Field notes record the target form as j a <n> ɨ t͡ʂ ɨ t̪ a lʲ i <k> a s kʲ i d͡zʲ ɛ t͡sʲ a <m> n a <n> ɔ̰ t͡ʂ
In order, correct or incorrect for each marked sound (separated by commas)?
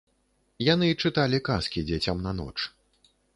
correct, correct, correct, correct